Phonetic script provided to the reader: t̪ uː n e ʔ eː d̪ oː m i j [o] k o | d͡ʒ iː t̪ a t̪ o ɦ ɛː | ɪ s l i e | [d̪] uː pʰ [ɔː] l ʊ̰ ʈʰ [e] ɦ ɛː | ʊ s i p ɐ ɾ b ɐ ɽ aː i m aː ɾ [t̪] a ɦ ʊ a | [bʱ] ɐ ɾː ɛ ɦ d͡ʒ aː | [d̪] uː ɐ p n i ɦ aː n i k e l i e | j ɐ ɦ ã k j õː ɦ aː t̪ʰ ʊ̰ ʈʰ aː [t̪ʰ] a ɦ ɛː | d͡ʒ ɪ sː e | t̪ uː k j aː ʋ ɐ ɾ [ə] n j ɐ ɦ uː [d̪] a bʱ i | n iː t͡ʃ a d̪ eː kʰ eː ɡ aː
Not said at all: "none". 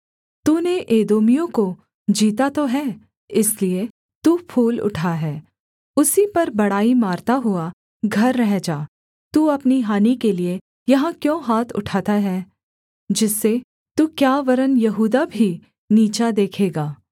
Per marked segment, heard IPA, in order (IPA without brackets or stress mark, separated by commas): õ, t̪, uː, a, t̪, ɡʱ, t̪, t̪, ə, d̪